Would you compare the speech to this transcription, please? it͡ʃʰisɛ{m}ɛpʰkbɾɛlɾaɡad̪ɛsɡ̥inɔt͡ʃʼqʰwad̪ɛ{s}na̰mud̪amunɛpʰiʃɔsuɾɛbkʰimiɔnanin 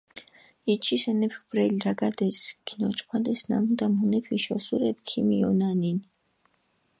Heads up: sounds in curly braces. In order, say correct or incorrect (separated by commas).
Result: incorrect, correct